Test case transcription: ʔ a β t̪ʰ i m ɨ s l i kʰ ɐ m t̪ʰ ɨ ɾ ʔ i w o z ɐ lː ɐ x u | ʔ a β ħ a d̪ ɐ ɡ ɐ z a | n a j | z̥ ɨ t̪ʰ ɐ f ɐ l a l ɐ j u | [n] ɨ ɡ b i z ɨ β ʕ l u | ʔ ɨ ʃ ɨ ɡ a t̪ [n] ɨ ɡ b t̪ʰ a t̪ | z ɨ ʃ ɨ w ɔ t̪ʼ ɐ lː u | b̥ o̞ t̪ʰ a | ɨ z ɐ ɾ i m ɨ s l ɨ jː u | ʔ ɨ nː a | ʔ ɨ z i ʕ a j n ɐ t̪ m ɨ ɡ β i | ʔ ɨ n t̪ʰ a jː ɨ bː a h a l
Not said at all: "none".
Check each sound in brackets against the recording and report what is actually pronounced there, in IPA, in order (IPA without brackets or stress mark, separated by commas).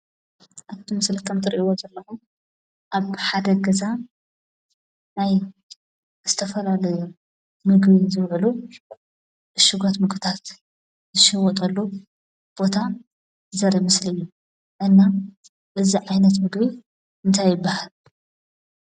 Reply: m, m